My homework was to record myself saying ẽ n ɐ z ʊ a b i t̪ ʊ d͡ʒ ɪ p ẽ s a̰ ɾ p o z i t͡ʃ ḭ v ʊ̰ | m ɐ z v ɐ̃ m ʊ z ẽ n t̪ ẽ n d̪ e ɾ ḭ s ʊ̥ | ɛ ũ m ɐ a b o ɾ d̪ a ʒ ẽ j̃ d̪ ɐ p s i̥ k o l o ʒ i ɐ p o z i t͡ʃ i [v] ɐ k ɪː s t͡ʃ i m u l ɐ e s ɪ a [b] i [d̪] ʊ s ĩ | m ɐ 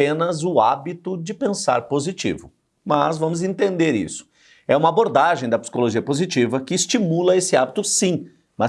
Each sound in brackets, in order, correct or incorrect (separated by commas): correct, correct, incorrect